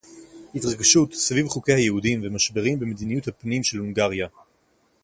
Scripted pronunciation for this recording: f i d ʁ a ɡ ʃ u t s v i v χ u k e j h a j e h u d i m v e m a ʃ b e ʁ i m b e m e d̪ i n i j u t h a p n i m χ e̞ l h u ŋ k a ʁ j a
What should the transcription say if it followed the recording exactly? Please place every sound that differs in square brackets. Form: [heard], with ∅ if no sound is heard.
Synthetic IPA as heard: [h] i [t] ʁ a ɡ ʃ u t s v i v χ u k e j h a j e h u d i m v e m a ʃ b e ʁ i m b e m e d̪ i n i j u t h a p n i m [ʃ] e̞ l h u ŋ [ɡ] a ʁ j a